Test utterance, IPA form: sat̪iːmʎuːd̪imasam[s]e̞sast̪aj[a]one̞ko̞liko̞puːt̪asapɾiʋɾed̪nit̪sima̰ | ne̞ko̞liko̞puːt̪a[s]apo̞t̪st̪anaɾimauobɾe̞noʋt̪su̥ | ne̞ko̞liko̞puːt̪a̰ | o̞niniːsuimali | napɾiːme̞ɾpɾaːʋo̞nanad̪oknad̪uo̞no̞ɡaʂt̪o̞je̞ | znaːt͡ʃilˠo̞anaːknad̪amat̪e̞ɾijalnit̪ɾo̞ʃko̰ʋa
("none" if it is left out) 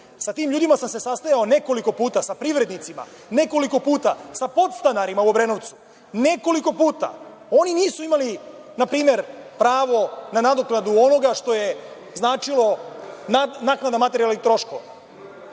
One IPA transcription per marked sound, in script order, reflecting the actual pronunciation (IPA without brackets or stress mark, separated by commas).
s, a, s